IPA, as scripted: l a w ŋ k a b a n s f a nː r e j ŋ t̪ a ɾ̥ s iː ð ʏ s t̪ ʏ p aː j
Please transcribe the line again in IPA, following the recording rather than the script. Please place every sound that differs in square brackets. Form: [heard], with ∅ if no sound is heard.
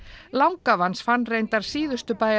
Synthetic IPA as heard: l a w ŋ k a [v] a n s f a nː r e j [n] t̪ a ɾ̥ s iː ð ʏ s t̪ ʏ p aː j